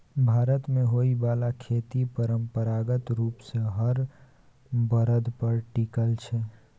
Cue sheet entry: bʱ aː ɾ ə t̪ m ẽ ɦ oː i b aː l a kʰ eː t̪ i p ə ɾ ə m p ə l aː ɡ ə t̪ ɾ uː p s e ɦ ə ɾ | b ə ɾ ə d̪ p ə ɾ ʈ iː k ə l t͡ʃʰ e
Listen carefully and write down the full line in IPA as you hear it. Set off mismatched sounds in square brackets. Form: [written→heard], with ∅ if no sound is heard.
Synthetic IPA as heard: bʱ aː ɾ ə t̪ m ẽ ɦ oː i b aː l a kʰ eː t̪ i p ə ɾ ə m p ə [l→ɾ] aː ɡ ə t̪ ɾ uː p s e ɦ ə ɾ | b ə ɾ ə d̪ p ə ɾ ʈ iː k ə l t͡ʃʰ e